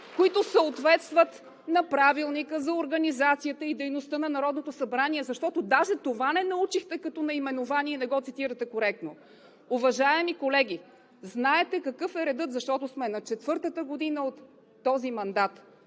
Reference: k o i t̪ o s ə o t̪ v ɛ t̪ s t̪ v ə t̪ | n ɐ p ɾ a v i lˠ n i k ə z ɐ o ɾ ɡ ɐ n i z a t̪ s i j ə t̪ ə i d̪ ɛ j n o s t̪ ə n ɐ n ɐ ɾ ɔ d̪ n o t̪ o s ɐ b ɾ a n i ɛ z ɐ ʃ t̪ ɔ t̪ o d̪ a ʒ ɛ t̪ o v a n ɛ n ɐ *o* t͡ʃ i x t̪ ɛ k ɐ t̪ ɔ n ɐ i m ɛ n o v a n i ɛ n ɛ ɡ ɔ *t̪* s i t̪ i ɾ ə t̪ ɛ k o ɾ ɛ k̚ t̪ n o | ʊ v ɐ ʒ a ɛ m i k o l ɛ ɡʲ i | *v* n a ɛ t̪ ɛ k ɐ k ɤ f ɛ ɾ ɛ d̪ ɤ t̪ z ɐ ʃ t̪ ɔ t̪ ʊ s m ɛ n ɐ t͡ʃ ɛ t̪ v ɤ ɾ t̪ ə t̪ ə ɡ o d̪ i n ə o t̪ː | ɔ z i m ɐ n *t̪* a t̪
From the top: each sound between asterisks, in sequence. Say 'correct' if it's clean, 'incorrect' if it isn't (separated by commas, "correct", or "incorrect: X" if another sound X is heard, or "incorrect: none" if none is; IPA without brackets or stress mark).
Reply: incorrect: u, correct, incorrect: z, incorrect: d̪